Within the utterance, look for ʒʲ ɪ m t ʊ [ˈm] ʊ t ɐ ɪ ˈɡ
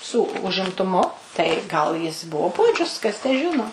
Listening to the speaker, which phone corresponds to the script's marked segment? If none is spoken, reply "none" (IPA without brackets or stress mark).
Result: m